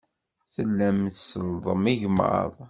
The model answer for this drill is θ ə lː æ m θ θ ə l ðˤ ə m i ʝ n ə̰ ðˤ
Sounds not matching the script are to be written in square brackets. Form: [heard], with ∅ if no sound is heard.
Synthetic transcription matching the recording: θ ə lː æ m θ [s] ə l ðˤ ə m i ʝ [m] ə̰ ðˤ